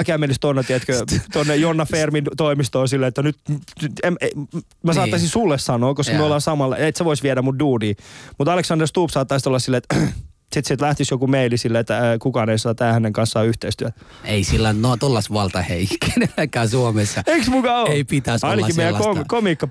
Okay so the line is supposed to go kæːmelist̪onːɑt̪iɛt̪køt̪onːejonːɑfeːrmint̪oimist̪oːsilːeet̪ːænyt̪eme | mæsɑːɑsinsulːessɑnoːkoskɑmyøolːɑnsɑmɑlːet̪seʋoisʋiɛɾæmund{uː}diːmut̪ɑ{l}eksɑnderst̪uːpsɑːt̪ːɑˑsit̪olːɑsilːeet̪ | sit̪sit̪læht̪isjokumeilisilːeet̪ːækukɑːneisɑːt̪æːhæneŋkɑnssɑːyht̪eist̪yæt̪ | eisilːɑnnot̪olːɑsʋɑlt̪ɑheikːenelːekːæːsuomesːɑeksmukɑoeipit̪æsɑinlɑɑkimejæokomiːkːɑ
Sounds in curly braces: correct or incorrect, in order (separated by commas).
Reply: correct, correct